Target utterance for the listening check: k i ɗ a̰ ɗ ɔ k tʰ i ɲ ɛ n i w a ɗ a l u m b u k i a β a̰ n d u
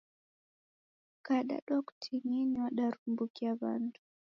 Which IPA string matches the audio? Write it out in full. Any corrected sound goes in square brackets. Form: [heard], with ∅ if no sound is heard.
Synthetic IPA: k [a] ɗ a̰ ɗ ɔ k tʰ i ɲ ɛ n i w a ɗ a [ɾ] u m b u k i a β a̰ n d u